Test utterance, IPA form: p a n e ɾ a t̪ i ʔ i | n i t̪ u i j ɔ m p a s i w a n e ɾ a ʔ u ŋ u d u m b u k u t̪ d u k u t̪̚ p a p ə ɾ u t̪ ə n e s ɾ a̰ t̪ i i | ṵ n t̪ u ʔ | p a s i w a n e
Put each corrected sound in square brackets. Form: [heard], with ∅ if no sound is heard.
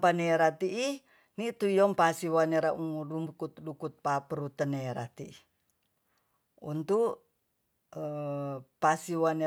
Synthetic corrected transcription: p a n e ɾ a t̪ i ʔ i | n i t̪ u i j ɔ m p a s i w a n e ɾ a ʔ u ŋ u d u m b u k u t̪ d u k u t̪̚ p a p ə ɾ u t̪ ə n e [∅] ɾ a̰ t̪ i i | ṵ n t̪ u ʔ | p a s i w a n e